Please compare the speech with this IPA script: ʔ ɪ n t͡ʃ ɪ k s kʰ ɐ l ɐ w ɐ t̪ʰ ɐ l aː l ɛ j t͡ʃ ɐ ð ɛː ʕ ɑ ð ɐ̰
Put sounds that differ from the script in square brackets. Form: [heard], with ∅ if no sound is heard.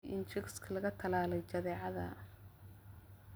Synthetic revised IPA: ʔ ɪ n t͡ʃ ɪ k s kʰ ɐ l ɐ [ɣ] ɐ t̪ʰ ɐ l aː l ɛ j t͡ʃ ɐ ð ɛː ʕ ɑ ð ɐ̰